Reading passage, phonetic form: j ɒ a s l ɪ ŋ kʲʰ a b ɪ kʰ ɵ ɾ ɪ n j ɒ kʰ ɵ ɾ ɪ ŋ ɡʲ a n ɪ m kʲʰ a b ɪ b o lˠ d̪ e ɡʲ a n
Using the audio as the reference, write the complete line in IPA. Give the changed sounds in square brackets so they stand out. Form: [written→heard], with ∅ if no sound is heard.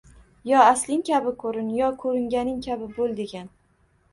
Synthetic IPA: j ɒ a s l ɪ ŋ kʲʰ a b ɪ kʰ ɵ ɾ ɪ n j ɒ kʰ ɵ ɾ ɪ ŋ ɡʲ a n ɪ [m→ŋ] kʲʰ a b ɪ b o lˠ d̪ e ɡʲ a n